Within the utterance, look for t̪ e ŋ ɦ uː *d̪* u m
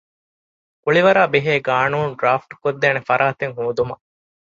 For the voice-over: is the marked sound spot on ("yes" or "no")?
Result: yes